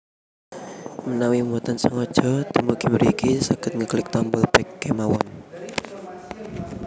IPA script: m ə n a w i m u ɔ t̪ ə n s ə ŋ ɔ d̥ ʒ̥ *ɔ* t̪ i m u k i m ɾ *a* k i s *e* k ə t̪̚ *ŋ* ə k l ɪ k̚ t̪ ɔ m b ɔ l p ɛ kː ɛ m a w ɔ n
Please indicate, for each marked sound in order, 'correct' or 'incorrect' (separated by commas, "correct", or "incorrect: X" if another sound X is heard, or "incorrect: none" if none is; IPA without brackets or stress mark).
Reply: correct, incorrect: i, incorrect: a, correct